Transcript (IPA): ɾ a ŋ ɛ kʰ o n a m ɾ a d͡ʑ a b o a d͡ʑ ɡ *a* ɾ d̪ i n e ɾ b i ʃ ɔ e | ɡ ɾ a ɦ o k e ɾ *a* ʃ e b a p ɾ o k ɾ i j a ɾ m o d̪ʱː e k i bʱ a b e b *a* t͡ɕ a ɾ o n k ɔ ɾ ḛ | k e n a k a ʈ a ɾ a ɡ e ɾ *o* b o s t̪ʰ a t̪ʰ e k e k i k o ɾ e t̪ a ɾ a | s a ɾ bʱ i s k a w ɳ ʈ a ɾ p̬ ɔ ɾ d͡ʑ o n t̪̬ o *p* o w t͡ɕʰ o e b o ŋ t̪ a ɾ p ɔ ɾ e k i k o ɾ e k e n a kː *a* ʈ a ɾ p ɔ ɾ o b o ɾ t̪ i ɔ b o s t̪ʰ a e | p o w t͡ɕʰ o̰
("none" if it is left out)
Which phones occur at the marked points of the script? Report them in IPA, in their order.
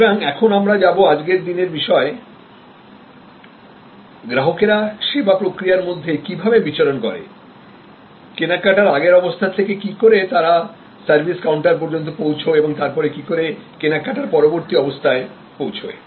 e, a, i, ɔ, p, a

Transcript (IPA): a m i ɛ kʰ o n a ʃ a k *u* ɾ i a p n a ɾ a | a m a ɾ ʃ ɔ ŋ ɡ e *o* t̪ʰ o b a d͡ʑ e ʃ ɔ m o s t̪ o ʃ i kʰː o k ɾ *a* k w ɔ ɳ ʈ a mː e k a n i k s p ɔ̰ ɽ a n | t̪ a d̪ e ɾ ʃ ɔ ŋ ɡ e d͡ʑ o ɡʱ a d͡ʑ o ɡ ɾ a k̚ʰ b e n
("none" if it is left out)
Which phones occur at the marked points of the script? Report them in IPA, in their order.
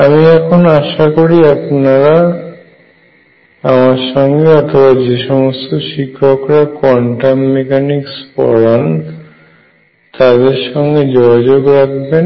o, ɔ, a

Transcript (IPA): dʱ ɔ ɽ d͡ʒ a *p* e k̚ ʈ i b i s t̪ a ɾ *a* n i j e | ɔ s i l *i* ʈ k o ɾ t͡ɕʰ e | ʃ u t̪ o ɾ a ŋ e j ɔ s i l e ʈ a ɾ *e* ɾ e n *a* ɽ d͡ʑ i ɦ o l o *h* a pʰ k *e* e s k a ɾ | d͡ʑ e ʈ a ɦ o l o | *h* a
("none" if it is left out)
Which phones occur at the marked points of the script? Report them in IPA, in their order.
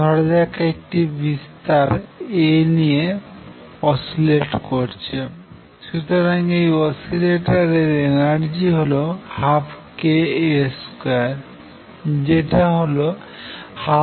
k, e, e, e, a, h, e, h

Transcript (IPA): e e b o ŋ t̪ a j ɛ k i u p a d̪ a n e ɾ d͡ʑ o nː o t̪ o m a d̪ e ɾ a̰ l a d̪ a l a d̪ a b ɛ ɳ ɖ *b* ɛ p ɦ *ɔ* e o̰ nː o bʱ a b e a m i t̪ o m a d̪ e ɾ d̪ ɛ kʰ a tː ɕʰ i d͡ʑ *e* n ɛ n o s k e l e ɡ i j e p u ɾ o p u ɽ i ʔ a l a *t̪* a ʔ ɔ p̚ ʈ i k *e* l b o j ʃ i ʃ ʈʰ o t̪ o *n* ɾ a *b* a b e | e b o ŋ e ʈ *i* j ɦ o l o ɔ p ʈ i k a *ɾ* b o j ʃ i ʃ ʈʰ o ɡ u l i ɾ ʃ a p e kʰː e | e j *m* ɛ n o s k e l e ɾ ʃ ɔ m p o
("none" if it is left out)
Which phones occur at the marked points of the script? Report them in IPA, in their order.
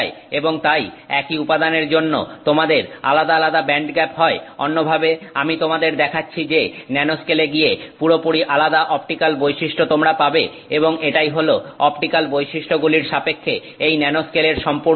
ɡ, ɔ, e, d̪, a, m, p, a, l, n

